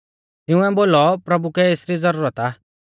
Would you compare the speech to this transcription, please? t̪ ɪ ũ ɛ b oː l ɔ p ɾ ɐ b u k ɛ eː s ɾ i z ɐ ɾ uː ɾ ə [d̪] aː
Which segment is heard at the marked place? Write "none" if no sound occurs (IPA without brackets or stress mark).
t̪